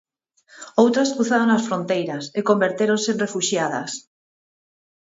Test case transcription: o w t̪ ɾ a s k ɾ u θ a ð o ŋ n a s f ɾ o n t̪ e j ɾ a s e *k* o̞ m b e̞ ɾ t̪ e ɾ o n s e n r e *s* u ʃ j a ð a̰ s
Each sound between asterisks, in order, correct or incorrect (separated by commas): correct, incorrect